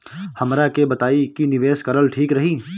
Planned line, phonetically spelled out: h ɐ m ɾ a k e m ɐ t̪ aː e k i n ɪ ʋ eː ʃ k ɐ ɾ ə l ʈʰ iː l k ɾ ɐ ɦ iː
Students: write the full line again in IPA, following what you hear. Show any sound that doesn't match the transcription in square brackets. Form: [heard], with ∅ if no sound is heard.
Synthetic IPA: h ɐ m ɾ a k e [b] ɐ t̪ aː [i] k i n ɪ ʋ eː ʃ k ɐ ɾ ə l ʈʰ iː [∅] k ɾ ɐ ɦ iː